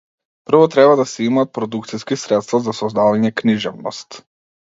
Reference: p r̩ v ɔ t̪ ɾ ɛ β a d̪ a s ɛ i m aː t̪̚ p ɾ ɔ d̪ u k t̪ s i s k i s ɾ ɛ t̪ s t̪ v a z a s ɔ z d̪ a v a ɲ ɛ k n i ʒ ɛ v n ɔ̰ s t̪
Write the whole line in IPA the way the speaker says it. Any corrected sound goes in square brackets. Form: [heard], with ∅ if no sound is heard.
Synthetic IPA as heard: p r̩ v ɔ t̪ ɾ ɛ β a d̪ a s ɛ i m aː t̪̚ p ɾ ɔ d̪ u k t̪ s i s k i s ɾ ɛ t̪ s t̪ v a z a s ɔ z d̪ a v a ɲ ɛ k n i ʒ ɛ v n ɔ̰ s t̪